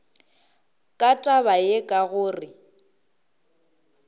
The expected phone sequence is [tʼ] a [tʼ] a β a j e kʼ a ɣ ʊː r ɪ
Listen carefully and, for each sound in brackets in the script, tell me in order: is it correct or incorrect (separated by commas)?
incorrect, correct